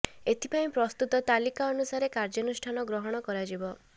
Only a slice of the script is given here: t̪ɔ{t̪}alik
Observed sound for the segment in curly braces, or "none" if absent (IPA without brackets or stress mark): t̪